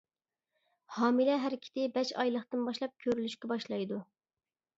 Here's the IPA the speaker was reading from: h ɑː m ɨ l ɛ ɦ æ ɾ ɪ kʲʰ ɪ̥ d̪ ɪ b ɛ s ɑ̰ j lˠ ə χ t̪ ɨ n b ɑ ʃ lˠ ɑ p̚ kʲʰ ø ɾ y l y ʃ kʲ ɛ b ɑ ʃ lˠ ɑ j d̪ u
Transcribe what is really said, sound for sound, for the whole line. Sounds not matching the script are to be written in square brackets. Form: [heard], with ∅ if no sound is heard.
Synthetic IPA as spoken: h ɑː m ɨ l ɛ ɦ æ ɾ ɪ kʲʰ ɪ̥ [t̪] ɪ b ɛ [ʃ] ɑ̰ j lˠ ə χ t̪ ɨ n b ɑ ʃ lˠ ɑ p̚ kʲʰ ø ɾ y l y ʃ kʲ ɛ b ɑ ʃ lˠ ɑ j d̪ u